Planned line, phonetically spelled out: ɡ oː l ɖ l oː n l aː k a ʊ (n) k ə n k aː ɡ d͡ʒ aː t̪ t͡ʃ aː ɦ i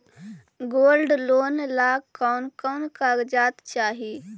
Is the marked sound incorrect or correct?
correct